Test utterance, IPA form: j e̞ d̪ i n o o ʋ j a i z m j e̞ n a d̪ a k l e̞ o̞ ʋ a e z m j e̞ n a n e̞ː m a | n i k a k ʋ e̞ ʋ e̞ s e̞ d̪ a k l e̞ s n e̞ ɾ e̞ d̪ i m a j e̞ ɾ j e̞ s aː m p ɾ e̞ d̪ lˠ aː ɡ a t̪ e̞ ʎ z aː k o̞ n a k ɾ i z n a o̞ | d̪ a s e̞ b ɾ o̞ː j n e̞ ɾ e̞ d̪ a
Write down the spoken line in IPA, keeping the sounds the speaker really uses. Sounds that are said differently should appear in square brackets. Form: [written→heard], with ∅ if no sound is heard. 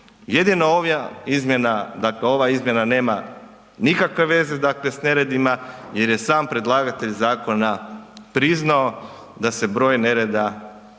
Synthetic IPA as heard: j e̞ d̪ i n o o ʋ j a i z m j e̞ n a d̪ a k l e̞ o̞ ʋ a [e→i] z m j e̞ n a n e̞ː m a | n i k a k ʋ e̞ ʋ e̞ [s→z] e̞ d̪ a k l e̞ s n e̞ ɾ e̞ d̪ i m a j e̞ ɾ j e̞ s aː m p ɾ e̞ d̪ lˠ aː ɡ a t̪ e̞ ʎ z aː k o̞ n a [k→p] ɾ i z n a o̞ | d̪ a s e̞ b ɾ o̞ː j n e̞ ɾ e̞ d̪ a

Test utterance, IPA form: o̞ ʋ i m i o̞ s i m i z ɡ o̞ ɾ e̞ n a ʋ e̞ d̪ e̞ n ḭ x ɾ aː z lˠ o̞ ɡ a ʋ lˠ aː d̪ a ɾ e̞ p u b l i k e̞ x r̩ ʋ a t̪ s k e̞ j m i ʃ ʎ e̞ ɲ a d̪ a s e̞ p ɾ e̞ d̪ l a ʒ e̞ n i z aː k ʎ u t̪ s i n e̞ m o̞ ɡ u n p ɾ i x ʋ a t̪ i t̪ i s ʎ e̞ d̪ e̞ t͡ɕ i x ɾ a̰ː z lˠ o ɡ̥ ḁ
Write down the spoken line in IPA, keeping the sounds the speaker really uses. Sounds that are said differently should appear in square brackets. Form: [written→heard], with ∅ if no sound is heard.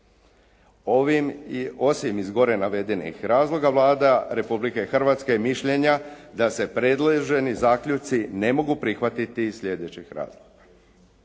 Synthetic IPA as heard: o̞ ʋ i m i o̞ s i m i z ɡ o̞ ɾ e̞ n a ʋ e̞ d̪ e̞ n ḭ x ɾ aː z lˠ o̞ ɡ a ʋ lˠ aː d̪ a ɾ e̞ p u b l i k e̞ x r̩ ʋ a t̪ s k e̞ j m i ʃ ʎ e̞ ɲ a d̪ a s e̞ p ɾ e̞ d̪ l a ʒ e̞ n i z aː k ʎ u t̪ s i n e̞ m o̞ ɡ u [n→∅] p ɾ i x ʋ a t̪ i t̪ i s ʎ e̞ d̪ e̞ t͡ɕ i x ɾ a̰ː z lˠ o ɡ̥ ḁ

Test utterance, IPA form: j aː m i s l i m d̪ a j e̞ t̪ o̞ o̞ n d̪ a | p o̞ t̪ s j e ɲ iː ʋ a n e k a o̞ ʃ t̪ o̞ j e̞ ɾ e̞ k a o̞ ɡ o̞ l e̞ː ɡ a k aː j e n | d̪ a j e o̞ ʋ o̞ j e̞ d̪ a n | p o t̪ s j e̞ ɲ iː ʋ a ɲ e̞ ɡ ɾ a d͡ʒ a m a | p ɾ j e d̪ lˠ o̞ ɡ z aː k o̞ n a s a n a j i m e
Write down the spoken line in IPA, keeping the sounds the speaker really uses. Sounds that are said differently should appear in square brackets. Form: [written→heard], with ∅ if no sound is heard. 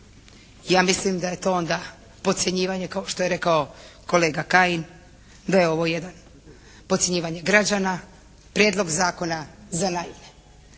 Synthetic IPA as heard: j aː m i s l i m d̪ a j e̞ t̪ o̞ o̞ n d̪ a | p o̞ t̪ s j e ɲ iː ʋ a [n→ɲ] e k a o̞ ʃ t̪ o̞ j e̞ ɾ e̞ k a o̞ [ɡ→k] o̞ l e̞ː ɡ a k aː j [e→i] n | d̪ a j e o̞ ʋ o̞ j e̞ d̪ a n | p o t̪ s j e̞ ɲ iː ʋ a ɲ e̞ ɡ ɾ a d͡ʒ a [m→n] a | p ɾ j e d̪ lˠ o̞ ɡ z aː k o̞ n a [s→z] a n a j i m e

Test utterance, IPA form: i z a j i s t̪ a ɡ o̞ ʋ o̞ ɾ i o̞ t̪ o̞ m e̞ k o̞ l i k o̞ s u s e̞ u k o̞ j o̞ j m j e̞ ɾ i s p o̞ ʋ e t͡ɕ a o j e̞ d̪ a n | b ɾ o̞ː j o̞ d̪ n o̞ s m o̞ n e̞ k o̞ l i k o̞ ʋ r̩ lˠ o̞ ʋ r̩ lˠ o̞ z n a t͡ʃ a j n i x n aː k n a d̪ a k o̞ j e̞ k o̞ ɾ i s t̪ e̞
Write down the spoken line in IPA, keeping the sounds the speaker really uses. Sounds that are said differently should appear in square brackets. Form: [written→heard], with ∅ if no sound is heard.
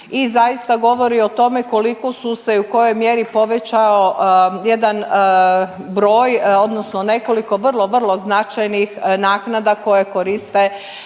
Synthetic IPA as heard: i z a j i s t̪ a ɡ o̞ ʋ o̞ ɾ i o̞ t̪ o̞ m e̞ k o̞ l i k o̞ s u s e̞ u k o̞ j o̞ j m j e̞ ɾ i [s→∅] p o̞ ʋ e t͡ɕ a o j e̞ d̪ a n | b ɾ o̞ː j o̞ d̪ n o̞ s [m→n] o̞ n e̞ k o̞ l i k o̞ ʋ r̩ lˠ o̞ ʋ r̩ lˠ o̞ z n a t͡ʃ a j n i x n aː k n a d̪ a k o̞ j e̞ k o̞ ɾ i s t̪ e̞

